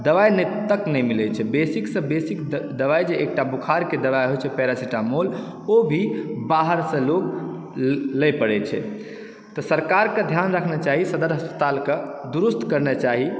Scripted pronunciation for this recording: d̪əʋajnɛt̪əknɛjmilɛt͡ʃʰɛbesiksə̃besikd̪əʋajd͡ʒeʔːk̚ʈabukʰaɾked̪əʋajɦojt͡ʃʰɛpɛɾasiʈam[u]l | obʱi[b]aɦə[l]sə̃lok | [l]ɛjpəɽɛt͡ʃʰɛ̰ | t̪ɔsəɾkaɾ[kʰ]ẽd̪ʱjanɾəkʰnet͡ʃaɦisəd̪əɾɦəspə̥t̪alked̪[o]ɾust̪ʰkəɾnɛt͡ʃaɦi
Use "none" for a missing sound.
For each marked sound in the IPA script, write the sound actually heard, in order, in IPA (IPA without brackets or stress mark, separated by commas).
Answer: o, b, ɾ, l, k, u